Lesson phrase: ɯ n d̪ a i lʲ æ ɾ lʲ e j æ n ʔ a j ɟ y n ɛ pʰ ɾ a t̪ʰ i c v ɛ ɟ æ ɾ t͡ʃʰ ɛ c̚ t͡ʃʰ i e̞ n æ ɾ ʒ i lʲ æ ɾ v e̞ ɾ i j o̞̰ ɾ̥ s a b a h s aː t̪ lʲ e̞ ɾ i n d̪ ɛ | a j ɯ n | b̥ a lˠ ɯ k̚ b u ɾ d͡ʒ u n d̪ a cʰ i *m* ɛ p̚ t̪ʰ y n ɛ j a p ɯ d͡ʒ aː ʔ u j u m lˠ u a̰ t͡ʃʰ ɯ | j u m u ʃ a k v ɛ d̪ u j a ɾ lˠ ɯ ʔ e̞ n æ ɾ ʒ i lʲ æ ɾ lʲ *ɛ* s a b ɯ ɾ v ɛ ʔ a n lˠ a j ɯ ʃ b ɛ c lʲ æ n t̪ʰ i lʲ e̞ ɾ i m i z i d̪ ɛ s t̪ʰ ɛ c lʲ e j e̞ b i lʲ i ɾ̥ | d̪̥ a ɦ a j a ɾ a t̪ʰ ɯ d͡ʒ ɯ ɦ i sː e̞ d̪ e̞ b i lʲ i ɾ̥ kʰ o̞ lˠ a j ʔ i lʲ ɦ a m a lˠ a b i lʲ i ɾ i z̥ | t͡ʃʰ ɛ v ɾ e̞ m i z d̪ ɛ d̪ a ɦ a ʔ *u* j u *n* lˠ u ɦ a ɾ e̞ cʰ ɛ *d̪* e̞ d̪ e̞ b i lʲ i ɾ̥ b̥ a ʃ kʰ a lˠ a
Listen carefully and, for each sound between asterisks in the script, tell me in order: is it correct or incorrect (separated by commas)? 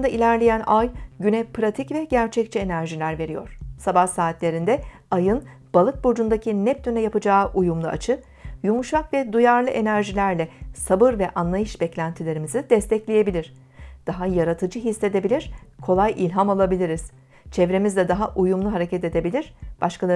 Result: incorrect, correct, correct, incorrect, incorrect